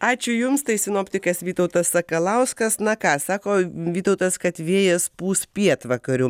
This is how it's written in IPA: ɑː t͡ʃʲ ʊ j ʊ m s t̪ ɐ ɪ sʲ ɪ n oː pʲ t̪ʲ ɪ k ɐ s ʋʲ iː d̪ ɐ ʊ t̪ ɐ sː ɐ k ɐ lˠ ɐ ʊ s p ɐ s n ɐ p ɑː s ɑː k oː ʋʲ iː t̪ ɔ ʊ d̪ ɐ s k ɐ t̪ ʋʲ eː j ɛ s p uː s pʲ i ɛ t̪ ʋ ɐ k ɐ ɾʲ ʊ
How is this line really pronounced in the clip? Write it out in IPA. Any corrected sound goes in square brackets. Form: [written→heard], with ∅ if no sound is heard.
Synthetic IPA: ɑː t͡ʃʲ ʊ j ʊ m s t̪ ɐ ɪ sʲ ɪ n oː pʲ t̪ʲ ɪ k ɐ s ʋʲ iː [d̪→t̪] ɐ ʊ t̪ ɐ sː ɐ k ɐ lˠ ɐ ʊ s [p→k] ɐ s n ɐ [p→k] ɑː s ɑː k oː ʋʲ iː t̪ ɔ ʊ [d̪→t̪] ɐ s k ɐ t̪ ʋʲ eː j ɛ s p uː s pʲ i ɛ t̪ ʋ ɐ k ɐ ɾʲ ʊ